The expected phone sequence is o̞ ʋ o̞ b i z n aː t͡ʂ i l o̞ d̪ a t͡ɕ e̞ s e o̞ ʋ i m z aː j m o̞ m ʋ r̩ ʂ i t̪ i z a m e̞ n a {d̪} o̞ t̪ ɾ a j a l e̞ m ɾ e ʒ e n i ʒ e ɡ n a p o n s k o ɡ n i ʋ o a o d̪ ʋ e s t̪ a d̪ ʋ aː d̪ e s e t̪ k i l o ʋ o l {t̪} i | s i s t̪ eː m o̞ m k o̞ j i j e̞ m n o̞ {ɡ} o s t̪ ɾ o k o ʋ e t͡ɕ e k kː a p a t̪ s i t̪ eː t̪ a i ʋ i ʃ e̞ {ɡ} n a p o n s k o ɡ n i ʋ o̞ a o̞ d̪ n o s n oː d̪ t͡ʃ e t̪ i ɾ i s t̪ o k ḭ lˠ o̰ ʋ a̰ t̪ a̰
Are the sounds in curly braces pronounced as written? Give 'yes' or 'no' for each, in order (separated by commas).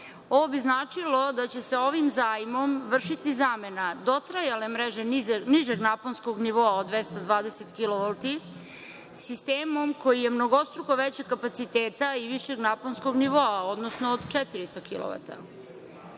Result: yes, yes, yes, yes